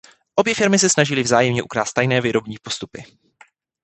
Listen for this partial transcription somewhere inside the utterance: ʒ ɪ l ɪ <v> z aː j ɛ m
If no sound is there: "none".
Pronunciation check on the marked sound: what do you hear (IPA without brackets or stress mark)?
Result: v